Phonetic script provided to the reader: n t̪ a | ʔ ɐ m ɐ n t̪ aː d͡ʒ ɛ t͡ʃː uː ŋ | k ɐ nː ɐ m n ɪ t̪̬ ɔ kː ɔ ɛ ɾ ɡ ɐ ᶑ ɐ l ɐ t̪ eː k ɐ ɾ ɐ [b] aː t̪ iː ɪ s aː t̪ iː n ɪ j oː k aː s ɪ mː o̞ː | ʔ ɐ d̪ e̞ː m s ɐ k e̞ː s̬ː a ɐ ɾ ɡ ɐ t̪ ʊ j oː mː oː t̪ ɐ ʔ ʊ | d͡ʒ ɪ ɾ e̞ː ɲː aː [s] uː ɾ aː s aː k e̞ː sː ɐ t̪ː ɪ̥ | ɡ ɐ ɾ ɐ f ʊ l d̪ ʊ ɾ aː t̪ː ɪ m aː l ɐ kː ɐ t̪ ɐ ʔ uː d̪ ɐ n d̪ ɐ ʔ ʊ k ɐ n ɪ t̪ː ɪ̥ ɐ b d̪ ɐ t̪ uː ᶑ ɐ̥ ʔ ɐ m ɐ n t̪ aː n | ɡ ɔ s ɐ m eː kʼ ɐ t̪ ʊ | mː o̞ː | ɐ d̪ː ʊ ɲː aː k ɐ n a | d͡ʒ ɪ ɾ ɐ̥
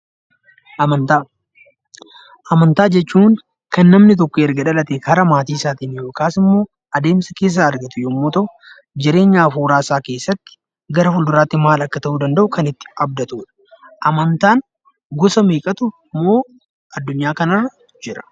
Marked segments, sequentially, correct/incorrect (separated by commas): incorrect, incorrect